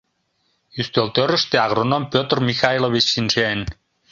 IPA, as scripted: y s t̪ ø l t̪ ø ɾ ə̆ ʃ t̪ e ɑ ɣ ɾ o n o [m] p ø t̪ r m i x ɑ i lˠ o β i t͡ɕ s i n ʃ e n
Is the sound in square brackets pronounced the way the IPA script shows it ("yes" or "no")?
yes